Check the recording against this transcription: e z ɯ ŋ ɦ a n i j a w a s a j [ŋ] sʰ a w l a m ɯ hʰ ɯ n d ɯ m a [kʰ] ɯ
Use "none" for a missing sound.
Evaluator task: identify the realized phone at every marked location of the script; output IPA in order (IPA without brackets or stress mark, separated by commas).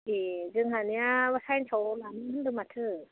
n, tʰ